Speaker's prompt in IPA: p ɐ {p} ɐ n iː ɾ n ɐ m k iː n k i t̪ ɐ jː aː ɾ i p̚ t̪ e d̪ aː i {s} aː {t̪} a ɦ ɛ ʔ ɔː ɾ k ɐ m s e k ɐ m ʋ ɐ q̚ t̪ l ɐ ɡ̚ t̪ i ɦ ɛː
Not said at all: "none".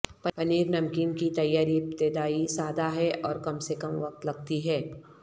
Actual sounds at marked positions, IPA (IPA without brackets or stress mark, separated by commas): p, s, d̪